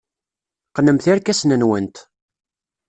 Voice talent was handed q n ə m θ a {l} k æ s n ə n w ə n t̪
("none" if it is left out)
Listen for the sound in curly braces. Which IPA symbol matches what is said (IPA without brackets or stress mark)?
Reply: ɾ